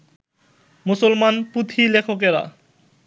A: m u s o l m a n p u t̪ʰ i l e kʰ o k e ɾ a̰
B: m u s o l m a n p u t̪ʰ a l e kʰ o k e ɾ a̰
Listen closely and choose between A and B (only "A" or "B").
A